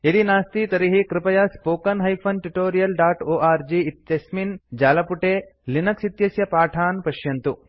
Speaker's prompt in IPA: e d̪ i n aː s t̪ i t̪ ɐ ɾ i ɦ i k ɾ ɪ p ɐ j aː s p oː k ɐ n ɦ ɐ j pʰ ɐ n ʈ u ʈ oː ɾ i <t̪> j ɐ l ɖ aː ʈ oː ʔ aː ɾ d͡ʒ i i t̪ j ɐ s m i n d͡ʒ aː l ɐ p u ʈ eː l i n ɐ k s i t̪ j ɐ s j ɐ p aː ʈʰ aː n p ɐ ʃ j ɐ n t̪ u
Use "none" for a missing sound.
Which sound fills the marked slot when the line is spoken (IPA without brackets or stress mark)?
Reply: none